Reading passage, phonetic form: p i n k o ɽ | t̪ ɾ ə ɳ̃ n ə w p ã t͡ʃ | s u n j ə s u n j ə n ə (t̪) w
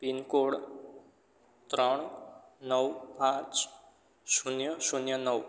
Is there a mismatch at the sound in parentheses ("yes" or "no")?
yes